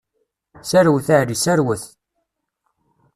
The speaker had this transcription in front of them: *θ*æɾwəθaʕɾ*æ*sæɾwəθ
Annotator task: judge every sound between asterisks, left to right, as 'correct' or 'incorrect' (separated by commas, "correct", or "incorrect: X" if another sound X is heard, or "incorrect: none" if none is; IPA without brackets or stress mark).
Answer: incorrect: s, incorrect: i